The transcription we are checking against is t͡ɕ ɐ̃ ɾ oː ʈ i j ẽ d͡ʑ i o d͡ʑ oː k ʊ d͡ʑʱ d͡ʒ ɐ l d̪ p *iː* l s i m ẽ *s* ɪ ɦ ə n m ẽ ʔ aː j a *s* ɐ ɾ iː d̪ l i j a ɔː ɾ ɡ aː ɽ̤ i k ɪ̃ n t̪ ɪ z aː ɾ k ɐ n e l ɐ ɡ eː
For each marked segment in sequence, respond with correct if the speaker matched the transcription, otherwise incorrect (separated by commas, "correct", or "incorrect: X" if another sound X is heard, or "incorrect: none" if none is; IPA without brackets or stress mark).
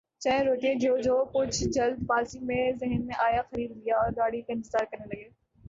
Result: incorrect: aː, incorrect: z, incorrect: x